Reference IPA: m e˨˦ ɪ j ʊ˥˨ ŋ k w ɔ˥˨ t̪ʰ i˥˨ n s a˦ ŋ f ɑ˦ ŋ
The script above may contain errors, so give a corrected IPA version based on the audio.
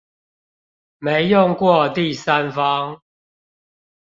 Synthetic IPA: m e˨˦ ɪ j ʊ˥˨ ŋ k w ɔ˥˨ t̪ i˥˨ s a˦ n f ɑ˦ ŋ